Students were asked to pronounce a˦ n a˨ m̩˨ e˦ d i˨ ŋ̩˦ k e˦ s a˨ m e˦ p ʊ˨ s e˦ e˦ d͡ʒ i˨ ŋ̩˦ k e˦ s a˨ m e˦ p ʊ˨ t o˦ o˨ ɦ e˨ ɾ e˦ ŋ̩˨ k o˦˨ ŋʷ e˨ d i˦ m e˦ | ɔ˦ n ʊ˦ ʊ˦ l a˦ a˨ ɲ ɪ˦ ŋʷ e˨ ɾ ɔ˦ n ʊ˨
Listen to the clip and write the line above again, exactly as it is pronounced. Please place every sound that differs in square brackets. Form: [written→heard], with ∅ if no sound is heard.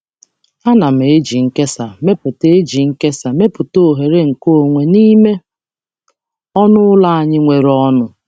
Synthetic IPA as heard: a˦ n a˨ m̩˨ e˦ [d→d͡ʒ] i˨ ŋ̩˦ k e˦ s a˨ m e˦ p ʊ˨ [s→t] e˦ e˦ d͡ʒ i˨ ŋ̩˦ k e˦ s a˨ m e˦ p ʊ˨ t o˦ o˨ ɦ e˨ ɾ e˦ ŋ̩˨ k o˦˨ ŋʷ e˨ [d→n] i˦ m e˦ | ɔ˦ n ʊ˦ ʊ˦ l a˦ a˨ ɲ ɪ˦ ŋʷ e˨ ɾ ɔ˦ n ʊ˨